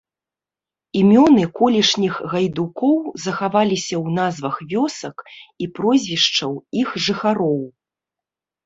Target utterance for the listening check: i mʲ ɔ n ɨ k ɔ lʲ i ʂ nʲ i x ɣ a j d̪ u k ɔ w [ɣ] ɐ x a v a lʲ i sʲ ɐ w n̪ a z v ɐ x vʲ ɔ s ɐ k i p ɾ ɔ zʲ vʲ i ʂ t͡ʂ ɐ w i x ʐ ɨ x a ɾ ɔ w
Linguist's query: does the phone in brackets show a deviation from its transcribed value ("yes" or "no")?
yes